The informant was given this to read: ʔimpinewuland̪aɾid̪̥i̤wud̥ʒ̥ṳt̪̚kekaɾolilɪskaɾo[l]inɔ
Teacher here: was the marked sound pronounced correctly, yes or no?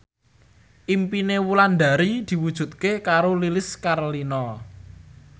yes